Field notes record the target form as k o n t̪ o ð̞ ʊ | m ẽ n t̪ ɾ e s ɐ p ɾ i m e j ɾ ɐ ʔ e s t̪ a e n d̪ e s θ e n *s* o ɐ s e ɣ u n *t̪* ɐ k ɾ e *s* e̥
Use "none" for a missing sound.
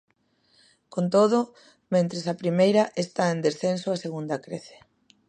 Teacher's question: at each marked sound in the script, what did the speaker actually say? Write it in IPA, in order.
s, d̪, θ

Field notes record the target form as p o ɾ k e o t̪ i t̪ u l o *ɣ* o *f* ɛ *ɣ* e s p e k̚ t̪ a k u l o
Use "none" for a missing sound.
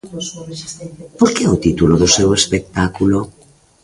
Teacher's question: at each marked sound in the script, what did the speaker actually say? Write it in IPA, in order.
ð, s, w

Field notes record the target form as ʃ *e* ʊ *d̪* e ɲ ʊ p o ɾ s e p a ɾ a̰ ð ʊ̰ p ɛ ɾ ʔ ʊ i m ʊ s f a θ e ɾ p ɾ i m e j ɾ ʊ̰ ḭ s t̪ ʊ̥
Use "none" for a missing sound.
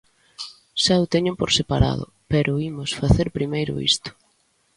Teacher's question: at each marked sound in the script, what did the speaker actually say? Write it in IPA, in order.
a, t̪

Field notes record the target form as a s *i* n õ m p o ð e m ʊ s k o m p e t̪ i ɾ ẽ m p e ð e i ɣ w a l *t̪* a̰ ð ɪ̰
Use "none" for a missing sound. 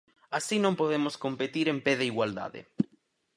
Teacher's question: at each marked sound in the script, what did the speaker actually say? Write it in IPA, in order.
i, d̪

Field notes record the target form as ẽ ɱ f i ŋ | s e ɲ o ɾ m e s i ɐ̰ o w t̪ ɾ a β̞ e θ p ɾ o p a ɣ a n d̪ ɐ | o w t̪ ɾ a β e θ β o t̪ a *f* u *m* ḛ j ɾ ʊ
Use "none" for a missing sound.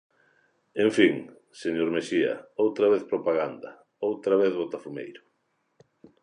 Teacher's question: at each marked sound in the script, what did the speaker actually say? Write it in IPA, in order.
f, m

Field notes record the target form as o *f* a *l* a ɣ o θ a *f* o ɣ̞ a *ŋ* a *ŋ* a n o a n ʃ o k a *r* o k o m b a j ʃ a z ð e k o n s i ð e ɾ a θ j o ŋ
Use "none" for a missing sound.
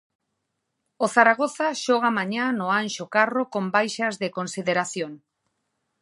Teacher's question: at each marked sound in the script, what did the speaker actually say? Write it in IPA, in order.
θ, ɾ, ʃ, m, ɲ, r

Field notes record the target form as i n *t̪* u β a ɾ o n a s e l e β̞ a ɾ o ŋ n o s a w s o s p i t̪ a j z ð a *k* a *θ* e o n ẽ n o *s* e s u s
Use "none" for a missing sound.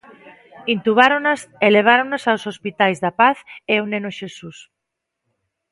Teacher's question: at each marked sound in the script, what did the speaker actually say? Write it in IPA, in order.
t̪, p, θ, ʃ

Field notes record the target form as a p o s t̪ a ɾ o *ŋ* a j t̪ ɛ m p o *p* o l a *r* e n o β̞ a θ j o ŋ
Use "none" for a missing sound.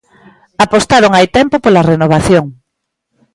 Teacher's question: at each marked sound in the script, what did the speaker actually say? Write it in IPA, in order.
ŋ, p, r

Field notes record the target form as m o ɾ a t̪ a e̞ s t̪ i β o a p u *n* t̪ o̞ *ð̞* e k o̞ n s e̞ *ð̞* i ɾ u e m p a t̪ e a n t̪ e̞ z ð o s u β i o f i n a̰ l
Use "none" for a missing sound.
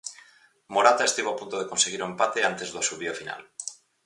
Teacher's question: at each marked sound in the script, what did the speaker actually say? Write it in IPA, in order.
n, ð̞, ɣ̞

